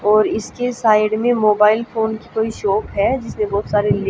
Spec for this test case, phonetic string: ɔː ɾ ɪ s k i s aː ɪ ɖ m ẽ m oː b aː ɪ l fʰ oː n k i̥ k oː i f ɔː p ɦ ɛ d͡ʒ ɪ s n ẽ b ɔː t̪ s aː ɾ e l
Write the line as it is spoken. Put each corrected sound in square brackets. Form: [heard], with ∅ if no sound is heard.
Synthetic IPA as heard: ɔː ɾ ɪ s k [e] s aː ɪ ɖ m ẽ m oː b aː ɪ l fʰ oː n k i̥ k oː i [ʃ] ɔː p ɦ ɛ d͡ʒ ɪ s n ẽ b ɔː t̪ s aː ɾ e l